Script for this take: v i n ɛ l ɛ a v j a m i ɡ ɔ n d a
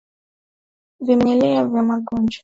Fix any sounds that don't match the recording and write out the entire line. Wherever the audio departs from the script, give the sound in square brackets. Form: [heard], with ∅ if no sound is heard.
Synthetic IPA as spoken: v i [m] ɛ l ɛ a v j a m [a] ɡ ɔ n [d͡ʒ] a